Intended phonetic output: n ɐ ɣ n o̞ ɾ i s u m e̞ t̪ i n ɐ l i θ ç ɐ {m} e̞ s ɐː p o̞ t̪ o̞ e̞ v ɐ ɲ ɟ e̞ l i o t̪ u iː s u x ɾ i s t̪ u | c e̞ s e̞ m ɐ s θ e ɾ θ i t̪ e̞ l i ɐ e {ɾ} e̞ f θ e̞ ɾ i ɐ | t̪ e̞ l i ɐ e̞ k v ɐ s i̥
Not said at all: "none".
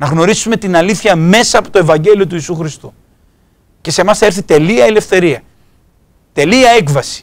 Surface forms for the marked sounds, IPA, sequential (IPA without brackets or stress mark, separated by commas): m, l